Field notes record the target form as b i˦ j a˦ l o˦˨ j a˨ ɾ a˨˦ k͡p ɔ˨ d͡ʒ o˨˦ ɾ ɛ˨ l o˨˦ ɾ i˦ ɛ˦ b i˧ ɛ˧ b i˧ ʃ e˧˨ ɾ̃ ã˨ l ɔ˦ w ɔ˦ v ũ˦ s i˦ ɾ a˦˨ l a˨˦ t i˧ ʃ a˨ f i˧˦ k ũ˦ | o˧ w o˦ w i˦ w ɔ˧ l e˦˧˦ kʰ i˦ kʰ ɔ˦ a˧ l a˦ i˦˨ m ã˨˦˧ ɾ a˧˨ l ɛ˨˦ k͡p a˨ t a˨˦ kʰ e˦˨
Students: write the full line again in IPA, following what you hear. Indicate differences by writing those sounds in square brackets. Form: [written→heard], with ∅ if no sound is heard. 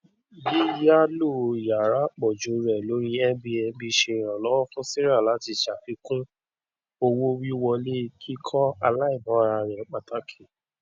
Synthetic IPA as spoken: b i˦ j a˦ l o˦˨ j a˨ ɾ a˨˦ k͡p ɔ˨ d͡ʒ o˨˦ ɾ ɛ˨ l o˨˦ ɾ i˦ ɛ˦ b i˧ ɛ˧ b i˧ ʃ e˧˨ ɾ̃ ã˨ l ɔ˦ w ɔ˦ [v→f] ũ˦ s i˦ ɾ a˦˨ l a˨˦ t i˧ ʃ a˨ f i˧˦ k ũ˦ | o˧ w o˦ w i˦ w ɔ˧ l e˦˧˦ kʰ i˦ kʰ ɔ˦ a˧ l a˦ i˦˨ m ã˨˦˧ ɾ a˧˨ [l→ɾ] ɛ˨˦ k͡p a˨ t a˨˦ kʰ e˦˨